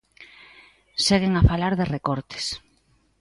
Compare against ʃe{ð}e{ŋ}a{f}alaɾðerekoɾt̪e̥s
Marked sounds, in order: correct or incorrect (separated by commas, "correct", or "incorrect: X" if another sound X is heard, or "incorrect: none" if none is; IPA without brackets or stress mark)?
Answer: incorrect: ɣ, correct, correct